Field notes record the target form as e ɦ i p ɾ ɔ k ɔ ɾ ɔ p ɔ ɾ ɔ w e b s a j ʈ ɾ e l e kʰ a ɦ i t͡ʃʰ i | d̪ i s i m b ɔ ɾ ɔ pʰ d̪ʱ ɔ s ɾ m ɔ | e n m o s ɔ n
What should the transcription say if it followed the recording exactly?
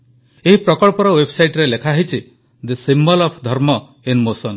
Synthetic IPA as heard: e ɦ i p ɾ ɔ k ɔ ɭ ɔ p ɔ ɾ ɔ w e b s a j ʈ ɾ e l e kʰ a ɦ i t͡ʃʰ i | d̪ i s i m b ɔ l ɔ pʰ d̪ʱ ɔ ɾ m ɔ | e n m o s ɔ n